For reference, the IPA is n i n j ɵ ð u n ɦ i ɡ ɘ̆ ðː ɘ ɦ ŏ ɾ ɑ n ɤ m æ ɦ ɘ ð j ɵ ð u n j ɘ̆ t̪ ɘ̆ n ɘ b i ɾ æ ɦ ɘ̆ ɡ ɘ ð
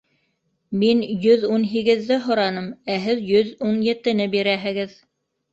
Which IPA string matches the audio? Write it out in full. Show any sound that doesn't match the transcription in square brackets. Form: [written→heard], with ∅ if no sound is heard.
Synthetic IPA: [n→m] i n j ɵ ð u n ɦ i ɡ ɘ̆ ðː ɘ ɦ ŏ ɾ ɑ n ɤ m æ ɦ ɘ ð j ɵ ð u n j ɘ̆ t̪ ɘ̆ n ɘ b i ɾ æ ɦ ɘ̆ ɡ ɘ ð